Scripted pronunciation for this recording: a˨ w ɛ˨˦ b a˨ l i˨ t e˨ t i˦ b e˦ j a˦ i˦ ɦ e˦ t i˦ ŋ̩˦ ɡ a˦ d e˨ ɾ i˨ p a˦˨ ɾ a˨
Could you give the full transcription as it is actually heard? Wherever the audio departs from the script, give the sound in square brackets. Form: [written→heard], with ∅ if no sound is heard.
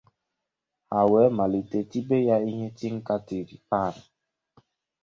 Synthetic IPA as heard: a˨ w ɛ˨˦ [b→m] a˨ l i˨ t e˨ t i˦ b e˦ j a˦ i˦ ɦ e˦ t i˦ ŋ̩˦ [ɡ→k] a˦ [d→t] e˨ ɾ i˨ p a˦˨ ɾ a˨